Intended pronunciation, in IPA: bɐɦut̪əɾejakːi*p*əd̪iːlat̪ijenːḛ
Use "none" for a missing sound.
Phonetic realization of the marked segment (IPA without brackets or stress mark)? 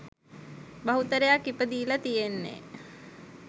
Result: p